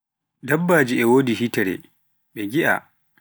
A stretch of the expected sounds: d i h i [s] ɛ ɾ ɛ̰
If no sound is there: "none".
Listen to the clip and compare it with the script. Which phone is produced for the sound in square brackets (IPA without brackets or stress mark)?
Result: t